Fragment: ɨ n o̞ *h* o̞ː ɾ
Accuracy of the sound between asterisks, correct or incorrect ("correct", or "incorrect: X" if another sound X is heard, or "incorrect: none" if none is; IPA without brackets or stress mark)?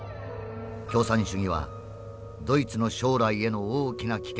incorrect: ɕ